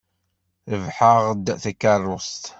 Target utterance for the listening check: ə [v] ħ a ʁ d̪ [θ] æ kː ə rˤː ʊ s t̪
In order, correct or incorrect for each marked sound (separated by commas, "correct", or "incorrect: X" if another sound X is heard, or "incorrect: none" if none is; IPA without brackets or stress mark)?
correct, correct